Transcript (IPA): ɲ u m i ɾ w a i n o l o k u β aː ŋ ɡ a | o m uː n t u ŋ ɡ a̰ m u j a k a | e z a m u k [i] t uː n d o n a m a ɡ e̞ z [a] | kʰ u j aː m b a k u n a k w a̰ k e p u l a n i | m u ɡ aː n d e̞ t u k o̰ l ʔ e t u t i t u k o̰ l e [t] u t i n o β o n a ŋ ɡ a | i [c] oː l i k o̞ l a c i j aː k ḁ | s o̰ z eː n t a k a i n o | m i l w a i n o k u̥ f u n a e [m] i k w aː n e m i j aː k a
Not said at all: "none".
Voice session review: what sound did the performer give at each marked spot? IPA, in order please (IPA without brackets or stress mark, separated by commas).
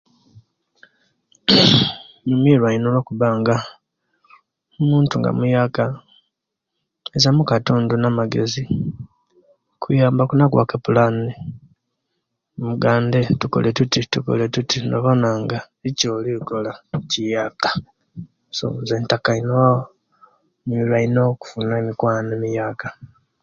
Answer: a, i, t, c, m